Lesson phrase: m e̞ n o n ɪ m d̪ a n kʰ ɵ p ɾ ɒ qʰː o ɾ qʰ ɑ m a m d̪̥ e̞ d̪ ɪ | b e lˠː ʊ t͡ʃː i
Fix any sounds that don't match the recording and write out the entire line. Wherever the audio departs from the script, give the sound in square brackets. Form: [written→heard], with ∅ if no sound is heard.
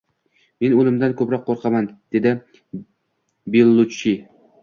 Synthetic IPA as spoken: m e̞ n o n ɪ m d̪ a n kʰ ɵ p ɾ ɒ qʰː o ɾ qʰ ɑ m a [m→n] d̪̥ e̞ d̪ ɪ | b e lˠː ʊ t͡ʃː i